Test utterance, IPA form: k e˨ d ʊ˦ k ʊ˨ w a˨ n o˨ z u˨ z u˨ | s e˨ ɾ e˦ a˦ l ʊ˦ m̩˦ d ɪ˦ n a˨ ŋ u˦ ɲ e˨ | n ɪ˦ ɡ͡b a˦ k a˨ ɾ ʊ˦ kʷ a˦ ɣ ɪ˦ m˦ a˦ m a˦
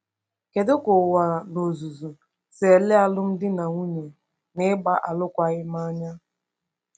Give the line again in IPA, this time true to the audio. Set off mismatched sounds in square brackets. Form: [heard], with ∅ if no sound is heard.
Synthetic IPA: k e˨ d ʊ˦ k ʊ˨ w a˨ n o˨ z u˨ z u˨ | s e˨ [l] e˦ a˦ l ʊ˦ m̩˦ d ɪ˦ n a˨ ŋ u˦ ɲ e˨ | n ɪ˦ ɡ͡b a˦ [ʔ] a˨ [l] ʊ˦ kʷ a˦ ɣ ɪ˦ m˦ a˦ [ɲ] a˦